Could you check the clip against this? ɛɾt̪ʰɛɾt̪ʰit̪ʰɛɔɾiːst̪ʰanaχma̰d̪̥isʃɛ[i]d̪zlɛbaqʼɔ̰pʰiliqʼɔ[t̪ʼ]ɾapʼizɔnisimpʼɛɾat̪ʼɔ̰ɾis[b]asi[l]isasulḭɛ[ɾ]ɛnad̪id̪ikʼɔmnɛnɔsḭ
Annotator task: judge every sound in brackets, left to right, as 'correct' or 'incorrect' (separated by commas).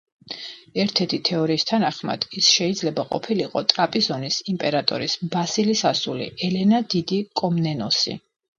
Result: correct, correct, correct, correct, incorrect